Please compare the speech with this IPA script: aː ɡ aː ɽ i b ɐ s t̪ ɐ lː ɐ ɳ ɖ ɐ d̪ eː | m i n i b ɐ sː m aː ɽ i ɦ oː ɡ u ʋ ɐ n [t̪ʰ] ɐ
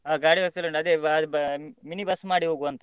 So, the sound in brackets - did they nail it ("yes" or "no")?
no